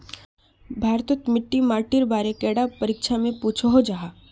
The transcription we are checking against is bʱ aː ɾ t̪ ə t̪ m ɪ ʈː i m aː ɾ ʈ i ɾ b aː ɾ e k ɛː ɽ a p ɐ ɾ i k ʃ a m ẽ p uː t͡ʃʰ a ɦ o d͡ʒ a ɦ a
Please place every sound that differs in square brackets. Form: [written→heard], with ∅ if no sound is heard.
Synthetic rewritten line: bʱ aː ɾ t̪ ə t̪ m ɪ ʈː i m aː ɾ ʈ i ɾ b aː ɾ e k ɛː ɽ a p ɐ ɾ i k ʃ a m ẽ p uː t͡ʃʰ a ɦ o d͡ʒ a ɦ a